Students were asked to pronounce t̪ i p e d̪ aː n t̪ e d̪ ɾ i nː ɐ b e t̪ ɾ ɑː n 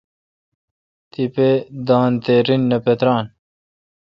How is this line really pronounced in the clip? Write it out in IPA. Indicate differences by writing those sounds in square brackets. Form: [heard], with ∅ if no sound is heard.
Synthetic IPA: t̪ i p e d̪ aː n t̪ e [∅] ɾ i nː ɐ [p] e t̪ ɾ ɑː n